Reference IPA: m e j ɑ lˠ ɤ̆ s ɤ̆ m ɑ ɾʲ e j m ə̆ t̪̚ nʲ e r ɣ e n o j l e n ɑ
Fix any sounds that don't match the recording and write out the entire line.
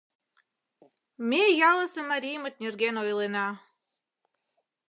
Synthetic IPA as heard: m e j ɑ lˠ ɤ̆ s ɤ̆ m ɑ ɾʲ i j m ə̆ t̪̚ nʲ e r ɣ e n o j l e n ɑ